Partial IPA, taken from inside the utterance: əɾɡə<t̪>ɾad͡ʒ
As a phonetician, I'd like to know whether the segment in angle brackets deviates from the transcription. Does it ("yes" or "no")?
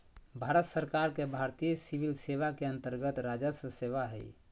no